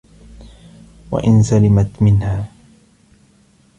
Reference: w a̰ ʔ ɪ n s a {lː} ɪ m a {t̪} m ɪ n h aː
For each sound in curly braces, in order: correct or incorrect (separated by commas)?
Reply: incorrect, correct